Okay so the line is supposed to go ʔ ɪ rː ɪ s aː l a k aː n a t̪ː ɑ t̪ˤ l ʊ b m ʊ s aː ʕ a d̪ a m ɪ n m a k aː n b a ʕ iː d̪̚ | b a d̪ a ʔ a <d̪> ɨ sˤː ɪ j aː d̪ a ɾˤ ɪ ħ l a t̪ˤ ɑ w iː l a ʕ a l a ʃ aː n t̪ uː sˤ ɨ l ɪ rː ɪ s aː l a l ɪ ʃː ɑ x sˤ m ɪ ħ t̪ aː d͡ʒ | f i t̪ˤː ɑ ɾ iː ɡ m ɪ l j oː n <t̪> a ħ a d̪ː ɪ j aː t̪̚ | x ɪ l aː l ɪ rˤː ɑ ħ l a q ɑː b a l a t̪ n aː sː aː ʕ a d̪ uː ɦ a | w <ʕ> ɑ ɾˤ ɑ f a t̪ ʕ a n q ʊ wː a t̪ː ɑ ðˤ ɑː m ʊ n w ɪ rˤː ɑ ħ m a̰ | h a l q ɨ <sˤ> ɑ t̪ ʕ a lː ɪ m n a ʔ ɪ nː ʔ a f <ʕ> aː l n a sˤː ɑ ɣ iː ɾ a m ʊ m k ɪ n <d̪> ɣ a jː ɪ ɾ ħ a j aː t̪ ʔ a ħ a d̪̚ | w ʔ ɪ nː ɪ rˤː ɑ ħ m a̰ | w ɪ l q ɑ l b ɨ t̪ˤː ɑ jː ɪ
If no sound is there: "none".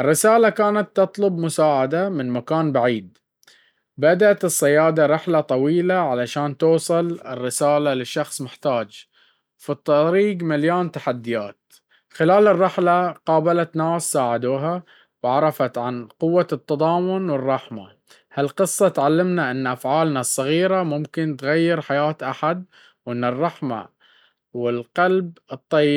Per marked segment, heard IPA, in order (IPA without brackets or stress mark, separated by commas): t̪, t̪, ʕ, sˤː, ʕ, t̪